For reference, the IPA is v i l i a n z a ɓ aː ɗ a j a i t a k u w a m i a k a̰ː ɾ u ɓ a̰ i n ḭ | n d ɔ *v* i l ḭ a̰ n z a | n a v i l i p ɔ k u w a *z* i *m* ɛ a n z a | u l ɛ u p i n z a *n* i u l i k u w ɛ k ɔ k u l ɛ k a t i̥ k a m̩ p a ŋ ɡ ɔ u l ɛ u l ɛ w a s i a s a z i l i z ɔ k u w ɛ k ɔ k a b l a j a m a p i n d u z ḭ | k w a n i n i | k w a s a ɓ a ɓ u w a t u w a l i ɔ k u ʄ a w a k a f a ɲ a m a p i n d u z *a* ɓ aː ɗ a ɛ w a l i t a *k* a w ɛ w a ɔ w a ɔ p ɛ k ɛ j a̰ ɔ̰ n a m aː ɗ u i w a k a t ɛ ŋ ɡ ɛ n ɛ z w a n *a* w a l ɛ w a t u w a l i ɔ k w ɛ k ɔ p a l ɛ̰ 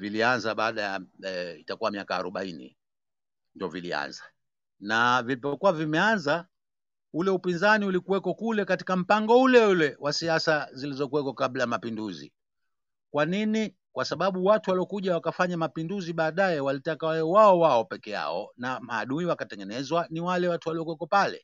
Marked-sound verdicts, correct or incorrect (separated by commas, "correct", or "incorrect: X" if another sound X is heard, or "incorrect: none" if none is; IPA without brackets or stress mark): correct, incorrect: v, correct, correct, incorrect: i, correct, incorrect: i